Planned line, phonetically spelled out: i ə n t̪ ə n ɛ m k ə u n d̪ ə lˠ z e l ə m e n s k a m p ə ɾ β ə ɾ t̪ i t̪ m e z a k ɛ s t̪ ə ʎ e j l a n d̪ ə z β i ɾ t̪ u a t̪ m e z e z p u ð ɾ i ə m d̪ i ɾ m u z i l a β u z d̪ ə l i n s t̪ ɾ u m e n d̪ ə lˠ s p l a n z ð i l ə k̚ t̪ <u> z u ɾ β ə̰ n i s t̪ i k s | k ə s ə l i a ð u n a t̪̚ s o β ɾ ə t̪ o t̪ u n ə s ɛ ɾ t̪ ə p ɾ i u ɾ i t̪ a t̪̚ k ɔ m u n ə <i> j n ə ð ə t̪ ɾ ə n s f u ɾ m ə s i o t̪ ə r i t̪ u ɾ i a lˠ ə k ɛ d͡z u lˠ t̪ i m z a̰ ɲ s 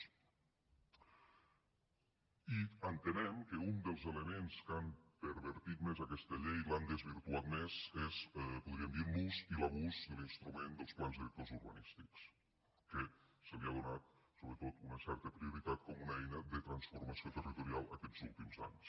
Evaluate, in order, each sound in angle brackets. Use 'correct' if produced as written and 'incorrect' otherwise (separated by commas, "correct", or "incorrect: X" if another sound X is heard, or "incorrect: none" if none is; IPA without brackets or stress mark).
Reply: incorrect: o, incorrect: ɛ